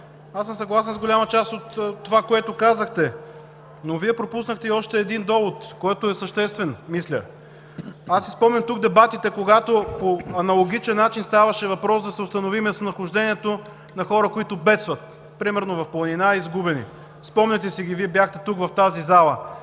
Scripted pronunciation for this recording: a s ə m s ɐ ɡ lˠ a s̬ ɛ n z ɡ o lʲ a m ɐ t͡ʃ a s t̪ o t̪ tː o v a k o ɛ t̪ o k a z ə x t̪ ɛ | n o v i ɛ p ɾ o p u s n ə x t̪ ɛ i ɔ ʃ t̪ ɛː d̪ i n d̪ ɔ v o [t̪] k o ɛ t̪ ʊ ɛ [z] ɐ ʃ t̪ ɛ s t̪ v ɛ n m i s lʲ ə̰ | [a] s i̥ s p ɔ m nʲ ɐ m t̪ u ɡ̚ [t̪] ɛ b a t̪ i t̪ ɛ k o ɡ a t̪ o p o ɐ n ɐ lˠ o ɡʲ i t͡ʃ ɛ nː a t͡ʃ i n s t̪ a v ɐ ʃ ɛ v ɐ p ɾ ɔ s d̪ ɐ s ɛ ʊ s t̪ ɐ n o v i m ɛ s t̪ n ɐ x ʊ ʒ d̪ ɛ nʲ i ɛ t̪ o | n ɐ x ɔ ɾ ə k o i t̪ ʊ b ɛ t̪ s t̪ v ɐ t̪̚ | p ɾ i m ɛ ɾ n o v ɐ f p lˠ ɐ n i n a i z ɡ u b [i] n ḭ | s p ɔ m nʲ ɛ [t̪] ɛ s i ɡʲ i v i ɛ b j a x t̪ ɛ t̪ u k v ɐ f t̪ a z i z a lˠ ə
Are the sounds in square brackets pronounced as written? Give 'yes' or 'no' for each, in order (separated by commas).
yes, no, yes, no, no, yes